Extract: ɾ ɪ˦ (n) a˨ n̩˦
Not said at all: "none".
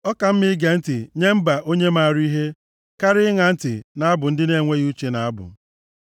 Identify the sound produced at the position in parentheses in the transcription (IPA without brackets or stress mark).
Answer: ŋ